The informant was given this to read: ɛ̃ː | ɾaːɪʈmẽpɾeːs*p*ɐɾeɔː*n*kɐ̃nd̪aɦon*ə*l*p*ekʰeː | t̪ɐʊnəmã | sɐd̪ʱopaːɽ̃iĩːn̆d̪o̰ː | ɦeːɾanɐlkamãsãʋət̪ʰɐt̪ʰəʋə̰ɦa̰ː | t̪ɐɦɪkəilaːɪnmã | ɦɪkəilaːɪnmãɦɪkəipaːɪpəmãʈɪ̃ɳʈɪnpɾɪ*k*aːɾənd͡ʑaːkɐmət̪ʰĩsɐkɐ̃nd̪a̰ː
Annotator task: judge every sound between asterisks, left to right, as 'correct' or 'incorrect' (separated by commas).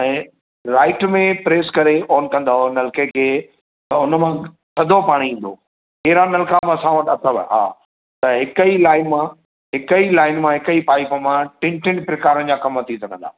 incorrect, correct, incorrect, incorrect, correct